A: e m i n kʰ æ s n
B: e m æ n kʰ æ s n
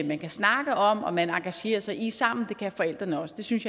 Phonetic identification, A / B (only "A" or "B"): B